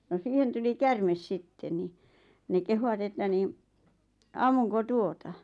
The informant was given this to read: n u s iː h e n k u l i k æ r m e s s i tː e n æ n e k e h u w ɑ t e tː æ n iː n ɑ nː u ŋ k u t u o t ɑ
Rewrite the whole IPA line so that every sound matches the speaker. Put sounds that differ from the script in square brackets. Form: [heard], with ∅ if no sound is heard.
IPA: n [o] s iː h e n [t] u l i k æ r m e s s i tː e n [i] n e k e h u w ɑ t e tː æ n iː n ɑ [mː] u ŋ k [o] t u o t ɑ